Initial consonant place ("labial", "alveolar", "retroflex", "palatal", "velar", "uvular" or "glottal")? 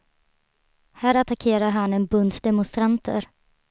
glottal